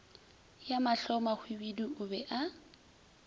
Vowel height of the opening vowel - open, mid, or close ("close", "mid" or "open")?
open